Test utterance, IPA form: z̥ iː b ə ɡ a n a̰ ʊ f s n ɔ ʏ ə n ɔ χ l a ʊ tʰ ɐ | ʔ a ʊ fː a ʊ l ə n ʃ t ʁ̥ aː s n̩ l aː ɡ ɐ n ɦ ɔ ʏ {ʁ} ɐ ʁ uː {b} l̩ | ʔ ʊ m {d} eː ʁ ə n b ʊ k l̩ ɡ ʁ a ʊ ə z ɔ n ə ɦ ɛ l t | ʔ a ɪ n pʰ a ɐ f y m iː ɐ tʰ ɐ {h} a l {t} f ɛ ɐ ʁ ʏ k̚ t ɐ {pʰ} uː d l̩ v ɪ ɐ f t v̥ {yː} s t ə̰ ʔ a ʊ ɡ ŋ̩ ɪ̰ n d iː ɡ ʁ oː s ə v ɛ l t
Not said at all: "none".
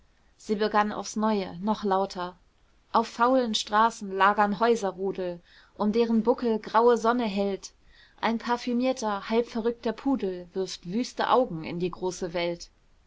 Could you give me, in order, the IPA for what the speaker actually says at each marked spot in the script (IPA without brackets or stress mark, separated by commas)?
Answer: z, d, d, h, p, pʰ, yː